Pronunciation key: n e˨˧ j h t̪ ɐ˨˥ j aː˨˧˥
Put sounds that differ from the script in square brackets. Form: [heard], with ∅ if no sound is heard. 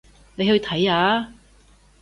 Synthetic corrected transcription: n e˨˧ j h [t̪ʰ] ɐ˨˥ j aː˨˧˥